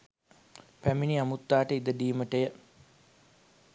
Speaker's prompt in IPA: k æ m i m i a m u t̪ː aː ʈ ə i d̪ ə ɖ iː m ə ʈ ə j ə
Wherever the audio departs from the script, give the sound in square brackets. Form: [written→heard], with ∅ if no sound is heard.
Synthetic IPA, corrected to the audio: [k→p] æ m i [m→n] i a m u t̪ː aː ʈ ə i d̪ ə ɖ iː m ə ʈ ə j ə